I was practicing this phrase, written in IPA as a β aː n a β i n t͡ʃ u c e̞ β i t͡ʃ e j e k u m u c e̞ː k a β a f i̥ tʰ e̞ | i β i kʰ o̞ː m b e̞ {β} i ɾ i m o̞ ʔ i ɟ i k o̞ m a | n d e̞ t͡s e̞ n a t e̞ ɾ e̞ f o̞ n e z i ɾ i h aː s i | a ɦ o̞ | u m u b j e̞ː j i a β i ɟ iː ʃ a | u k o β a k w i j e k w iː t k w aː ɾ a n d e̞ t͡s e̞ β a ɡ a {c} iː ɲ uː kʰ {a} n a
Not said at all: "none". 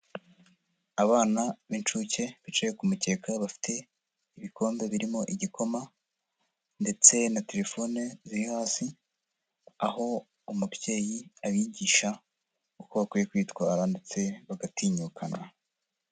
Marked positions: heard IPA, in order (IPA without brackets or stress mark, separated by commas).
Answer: β, t, a